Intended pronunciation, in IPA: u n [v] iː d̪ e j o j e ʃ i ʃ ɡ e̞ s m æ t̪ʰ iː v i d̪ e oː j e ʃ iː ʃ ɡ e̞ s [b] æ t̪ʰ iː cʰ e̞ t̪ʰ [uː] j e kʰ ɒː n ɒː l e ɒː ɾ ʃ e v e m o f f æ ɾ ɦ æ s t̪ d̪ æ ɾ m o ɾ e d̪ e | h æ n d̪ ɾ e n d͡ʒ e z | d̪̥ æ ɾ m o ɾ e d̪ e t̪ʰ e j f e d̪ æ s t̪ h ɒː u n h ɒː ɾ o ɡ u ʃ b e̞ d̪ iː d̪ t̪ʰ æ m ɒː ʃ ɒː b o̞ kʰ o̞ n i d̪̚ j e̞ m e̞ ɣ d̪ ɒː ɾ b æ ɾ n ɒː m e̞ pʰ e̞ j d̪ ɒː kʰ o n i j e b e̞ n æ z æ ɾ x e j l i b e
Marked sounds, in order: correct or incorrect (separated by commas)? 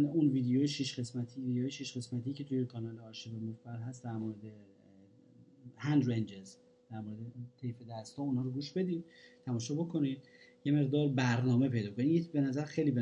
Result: correct, incorrect, incorrect